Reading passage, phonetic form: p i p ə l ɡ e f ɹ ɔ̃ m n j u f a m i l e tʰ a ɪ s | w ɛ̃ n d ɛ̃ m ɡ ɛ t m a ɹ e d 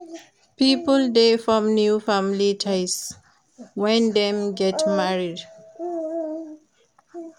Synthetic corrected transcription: p i p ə l d e f ɹ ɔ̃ m n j u f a m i l i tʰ a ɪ s | w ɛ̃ n d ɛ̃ m ɡ ɛ t m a ɹ i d